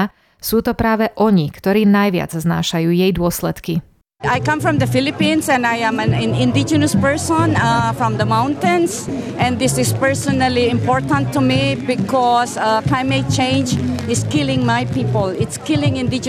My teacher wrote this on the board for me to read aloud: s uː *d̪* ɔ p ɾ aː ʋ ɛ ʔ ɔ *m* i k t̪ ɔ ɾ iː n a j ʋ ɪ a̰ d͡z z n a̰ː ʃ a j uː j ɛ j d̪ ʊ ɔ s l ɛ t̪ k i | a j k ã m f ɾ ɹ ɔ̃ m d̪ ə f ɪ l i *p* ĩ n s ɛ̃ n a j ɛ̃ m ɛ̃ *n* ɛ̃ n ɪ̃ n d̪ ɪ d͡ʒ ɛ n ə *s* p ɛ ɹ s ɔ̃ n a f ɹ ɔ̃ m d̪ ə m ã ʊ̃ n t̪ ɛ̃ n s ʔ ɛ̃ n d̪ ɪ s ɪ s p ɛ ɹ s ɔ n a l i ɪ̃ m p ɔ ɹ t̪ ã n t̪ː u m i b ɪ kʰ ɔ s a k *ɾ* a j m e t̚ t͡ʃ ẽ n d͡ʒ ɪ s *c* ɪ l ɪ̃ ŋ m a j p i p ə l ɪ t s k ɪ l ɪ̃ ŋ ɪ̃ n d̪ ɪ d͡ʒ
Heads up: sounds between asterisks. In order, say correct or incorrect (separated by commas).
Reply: incorrect, incorrect, correct, correct, correct, incorrect, incorrect